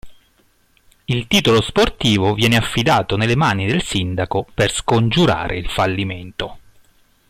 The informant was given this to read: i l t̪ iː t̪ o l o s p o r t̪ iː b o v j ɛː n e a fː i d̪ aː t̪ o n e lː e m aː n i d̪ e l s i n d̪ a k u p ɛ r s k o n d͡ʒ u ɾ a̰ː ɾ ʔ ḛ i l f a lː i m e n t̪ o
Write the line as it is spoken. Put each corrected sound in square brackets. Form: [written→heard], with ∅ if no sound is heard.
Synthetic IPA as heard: i l t̪ iː t̪ o l o s p o r t̪ iː [b→v] o v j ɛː n e a fː i d̪ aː t̪ o n e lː e m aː n i d̪ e l s i n d̪ a k [u→o] p [ɛ→e] r s k o n d͡ʒ u ɾ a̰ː ɾ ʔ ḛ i l f a lː i m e n t̪ o